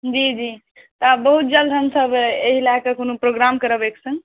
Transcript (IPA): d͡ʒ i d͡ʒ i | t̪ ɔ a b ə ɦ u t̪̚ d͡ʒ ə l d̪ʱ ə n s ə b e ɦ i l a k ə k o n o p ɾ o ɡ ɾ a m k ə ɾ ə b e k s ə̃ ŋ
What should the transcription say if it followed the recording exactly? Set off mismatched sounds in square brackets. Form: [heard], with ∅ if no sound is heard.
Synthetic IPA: d͡ʒ i d͡ʒ i | t̪ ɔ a b ə ɦ u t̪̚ d͡ʒ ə l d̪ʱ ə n s ə b e ɦ i l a k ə k o n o p ɾ o ɡ ɾ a m k ə ɾ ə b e k s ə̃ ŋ

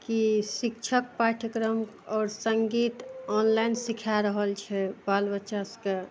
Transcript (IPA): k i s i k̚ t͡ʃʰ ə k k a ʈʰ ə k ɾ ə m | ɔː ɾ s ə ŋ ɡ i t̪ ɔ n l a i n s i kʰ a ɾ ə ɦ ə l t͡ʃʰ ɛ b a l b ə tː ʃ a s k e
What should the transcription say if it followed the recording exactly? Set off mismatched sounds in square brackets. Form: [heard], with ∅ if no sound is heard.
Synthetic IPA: k i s i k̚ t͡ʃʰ ə k [p] a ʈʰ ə k ɾ ə m | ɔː ɾ s ə ŋ ɡ i t̪ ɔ n l a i n s i kʰ a ɾ ə ɦ ə l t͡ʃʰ ɛ b a l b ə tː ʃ a s k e

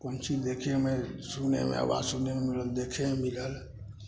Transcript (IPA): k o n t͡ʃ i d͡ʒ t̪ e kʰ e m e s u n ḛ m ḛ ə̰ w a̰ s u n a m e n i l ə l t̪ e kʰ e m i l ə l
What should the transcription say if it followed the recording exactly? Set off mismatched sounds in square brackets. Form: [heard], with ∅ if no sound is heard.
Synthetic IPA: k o n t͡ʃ i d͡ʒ [d̪] e kʰ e m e s u n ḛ m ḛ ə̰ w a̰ s u n [e] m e [m] i l ə l [d̪] e kʰ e m i l ə l

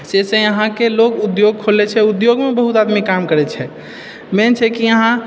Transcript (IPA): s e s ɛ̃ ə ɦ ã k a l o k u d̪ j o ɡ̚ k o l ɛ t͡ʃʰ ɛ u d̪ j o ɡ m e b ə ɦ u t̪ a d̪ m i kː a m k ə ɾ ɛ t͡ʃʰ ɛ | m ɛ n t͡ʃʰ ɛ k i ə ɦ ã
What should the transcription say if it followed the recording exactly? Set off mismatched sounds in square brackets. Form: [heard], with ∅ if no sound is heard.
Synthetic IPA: s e s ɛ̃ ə ɦ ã k [e] l o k u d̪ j o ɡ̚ [kʰ] o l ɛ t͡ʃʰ ɛ u d̪ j o ɡ m e b ə ɦ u t̪ a d̪ m i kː a m k ə ɾ ɛ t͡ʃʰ ɛ | m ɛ n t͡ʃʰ ɛ k i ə ɦ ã

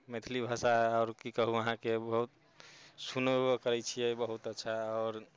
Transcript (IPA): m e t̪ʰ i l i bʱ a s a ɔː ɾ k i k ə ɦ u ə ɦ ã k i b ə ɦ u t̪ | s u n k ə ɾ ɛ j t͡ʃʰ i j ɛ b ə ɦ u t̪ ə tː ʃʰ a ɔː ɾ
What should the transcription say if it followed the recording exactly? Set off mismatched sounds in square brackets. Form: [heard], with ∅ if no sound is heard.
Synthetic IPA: m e t̪ʰ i l i bʱ a s a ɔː ɾ k i k ə ɦ u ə ɦ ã k [e] b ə ɦ u t̪ | s u n k ə ɾ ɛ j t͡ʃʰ i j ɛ b ə ɦ u t̪ ə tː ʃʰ a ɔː ɾ

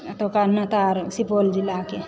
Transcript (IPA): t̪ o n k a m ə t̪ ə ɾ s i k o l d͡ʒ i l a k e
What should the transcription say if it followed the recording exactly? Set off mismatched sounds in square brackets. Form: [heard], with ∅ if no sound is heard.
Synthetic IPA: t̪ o [∅] k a [n] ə t̪ [a] ɾ s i [p] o l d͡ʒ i l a k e

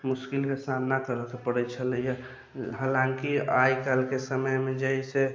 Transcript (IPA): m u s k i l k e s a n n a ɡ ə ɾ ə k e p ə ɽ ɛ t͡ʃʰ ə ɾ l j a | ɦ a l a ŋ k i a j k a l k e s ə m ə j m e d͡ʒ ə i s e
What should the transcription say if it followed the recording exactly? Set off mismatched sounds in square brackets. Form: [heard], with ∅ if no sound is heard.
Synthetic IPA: m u s k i l k e s a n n a [k] ə ɾ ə k e p ə ɽ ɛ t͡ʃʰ ə [∅] l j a | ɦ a l a ŋ k i a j k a l k e s ə m ə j m e d͡ʒ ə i s e

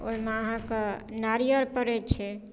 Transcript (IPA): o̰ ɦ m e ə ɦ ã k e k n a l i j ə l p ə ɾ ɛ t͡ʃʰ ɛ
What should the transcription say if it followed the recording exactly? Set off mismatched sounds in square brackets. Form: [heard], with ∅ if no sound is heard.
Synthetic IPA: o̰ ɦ m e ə ɦ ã k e [∅] n a [ɾ] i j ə [ɾ] p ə ɾ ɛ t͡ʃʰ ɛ

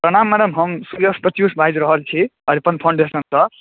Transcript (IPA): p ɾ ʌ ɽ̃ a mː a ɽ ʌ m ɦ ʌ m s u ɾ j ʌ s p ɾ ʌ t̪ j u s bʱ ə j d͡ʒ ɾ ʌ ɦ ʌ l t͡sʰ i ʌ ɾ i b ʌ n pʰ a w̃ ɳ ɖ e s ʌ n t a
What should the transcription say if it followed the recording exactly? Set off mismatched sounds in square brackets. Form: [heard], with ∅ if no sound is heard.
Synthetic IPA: p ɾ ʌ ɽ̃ a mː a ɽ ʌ m ɦ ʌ m s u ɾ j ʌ s p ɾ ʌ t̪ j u s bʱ [a] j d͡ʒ ɾ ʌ ɦ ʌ l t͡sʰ i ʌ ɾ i [p] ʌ n pʰ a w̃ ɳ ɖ e s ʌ n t [ʌ]

